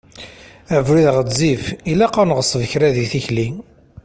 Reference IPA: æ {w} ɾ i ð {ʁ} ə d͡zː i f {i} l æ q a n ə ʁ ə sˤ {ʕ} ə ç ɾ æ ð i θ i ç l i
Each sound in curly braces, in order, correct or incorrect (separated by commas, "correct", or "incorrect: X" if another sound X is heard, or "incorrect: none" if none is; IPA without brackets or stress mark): incorrect: v, correct, correct, incorrect: v